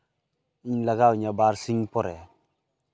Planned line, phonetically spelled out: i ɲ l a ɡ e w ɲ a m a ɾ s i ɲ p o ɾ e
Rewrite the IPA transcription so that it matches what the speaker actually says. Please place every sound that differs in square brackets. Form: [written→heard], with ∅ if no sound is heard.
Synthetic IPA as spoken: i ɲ l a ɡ [e→a] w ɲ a [m→b] a ɾ s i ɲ p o ɾ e